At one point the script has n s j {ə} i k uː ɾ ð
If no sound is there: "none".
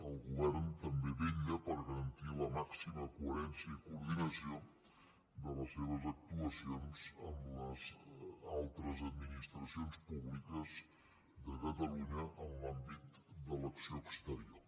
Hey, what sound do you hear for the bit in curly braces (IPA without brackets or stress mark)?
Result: ə